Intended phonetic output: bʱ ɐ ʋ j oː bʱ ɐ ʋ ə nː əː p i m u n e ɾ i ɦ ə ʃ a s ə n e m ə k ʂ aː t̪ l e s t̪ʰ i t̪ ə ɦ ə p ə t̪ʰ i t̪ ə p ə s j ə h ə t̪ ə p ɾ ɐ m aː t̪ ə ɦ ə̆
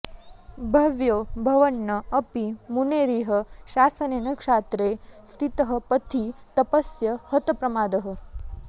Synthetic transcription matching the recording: bʱ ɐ ʋ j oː bʱ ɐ ʋ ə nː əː p i m u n e ɾ i ɦ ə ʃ a s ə n e n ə k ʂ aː t̪ ɾ e s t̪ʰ i t̪ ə ɦ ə p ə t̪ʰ i t̪ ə p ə s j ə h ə t̪ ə p ɾ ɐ m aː d̪ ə ɦ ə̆

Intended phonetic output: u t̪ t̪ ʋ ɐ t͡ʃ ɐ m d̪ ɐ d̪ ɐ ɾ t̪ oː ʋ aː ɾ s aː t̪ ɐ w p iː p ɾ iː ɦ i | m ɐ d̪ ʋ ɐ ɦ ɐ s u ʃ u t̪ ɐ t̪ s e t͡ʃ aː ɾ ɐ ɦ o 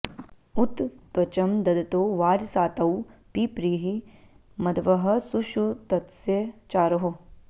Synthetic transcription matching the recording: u t̪ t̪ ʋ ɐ t͡ʃ ɐ m d̪ ɐ d̪ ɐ t̪ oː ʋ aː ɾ s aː t̪ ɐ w p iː p ɾ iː ɦ i | m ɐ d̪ ʋ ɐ ɦ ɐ s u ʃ u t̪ ɐ t̪ s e t͡ʃ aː ɾ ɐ ɦ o

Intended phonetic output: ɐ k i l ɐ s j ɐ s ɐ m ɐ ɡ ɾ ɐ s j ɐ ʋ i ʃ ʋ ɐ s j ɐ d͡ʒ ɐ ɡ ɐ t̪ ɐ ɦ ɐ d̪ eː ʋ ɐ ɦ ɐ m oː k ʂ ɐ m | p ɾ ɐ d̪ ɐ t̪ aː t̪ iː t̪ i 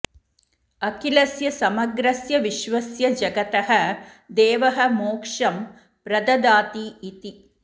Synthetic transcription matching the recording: ɐ k i l ɐ s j ɐ s ɐ m ɐ ɡ ɾ ɐ s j ɐ ʋ i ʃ ʋ ɐ s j ɐ d͡ʒ ɐ ɡ ɐ t̪ ɐ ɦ ɐ d̪ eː ʋ ɐ ɦ ɐ m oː k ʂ ɐ m | p ɾ ɐ d̪ ɐ d̪ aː t̪ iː t̪ i

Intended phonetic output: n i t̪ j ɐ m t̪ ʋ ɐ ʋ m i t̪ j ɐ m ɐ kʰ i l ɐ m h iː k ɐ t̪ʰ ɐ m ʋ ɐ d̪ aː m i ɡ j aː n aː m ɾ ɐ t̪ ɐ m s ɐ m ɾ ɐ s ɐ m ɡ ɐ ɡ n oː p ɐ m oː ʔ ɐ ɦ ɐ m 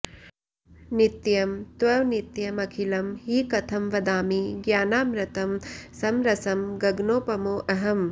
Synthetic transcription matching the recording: n i t̪ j ɐ m t̪ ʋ ɐ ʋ n i t̪ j ɐ m ɐ kʰ i l ɐ m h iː k ɐ t̪ʰ ɐ m ʋ ɐ d̪ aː m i ɡ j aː n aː m ɾ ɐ t̪ ɐ m s ɐ m ɾ ɐ s ɐ m ɡ ɐ ɡ n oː p ɐ m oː ʔ ɐ ɦ ɐ m

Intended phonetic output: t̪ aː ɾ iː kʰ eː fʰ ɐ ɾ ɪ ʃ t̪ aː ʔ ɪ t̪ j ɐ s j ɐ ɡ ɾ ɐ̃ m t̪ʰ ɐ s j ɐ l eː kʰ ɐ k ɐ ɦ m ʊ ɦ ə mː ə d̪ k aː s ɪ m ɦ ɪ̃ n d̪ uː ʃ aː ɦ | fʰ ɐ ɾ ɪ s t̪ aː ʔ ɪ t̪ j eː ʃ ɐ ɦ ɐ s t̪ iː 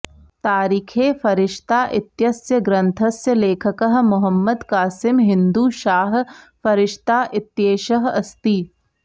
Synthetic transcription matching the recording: t̪ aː ɾ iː kʰ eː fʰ ɐ ɾ ɪ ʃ t̪ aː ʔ ɪ t̪ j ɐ s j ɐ ɡ ɾ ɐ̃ n t̪ʰ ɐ s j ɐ l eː kʰ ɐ k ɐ ɦ m ʊ ɦ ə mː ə d̪ k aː s ɪ m ɦ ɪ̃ n d̪ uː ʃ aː ɦ | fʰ ɐ ɾ ɪ ʃ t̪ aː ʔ ɪ t̪ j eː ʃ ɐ ɦ ɐ s t̪ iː

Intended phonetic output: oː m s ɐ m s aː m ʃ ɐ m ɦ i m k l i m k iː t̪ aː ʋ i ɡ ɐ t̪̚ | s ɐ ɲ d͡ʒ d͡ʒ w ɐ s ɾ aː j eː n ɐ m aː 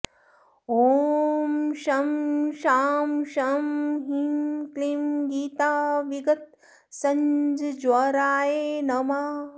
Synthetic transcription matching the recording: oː m ʃ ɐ m ʃ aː m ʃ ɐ m ɦ i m k l i m ɡ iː t̪ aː ʋ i ɡ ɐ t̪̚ | s ɐ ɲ d͡ʒ d͡ʒ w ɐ ɾ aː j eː n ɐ m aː

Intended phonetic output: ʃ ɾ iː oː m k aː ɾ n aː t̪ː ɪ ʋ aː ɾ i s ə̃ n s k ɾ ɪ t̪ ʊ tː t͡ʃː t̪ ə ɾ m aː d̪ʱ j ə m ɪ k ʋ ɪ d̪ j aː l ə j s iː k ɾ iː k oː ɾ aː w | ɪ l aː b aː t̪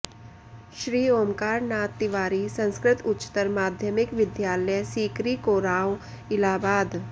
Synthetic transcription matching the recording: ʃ ɾ iː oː m k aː ɾ n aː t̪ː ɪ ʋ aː ɾ i s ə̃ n s k ɾ ɪ t̪ ʊ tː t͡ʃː t̪ ə ɾ m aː d̪ʱ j ə m ɪ k ʋ ɪ d̪ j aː l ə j s iː k ɾ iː k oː ɾ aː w | ɪ l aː b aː d̪

